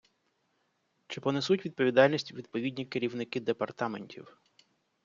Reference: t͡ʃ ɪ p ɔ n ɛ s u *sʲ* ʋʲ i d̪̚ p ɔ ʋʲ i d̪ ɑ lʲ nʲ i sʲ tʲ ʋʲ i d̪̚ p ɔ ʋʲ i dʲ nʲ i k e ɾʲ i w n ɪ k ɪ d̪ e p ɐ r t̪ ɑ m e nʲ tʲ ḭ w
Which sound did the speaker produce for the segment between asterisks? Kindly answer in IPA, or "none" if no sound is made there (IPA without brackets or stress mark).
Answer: tʲ